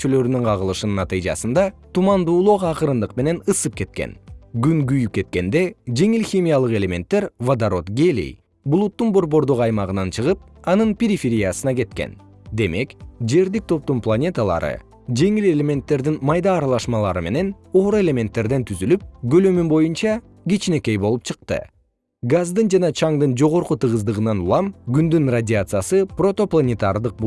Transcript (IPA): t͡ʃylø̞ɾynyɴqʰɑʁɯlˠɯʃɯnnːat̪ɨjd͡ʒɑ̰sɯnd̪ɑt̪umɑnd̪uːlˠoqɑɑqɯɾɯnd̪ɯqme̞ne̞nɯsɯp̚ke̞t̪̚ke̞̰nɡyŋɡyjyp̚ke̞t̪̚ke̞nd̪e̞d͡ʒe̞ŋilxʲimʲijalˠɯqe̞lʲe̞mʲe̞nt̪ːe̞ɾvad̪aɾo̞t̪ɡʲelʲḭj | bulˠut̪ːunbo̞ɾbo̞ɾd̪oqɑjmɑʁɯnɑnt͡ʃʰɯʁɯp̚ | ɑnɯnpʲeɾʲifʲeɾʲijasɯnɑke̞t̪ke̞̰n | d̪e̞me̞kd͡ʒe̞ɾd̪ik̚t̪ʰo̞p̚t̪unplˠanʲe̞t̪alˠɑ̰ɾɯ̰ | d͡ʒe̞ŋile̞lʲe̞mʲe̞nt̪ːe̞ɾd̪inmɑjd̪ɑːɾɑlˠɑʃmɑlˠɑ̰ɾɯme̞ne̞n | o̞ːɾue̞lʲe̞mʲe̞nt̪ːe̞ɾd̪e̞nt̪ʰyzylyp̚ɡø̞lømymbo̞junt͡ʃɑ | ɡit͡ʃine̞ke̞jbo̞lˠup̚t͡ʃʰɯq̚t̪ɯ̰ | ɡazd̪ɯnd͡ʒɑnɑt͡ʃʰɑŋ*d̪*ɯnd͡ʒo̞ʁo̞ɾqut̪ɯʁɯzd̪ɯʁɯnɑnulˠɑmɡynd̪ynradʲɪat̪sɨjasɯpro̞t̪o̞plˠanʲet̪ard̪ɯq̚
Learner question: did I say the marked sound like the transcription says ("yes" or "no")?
yes